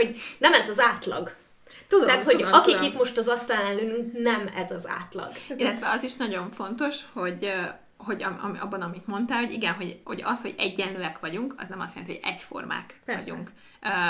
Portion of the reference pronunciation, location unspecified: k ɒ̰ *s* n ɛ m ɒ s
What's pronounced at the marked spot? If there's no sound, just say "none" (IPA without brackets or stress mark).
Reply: z